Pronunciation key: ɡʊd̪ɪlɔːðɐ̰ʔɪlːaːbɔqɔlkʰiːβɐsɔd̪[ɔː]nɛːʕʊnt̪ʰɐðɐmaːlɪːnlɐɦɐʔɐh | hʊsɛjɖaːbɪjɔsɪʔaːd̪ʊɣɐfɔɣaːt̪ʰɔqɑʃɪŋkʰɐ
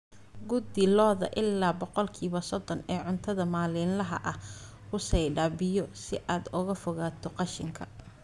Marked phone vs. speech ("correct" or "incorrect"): incorrect